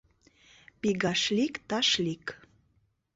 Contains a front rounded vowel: no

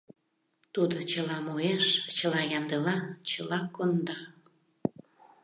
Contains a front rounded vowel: no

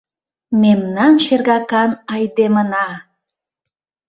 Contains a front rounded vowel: no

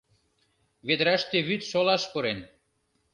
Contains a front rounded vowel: yes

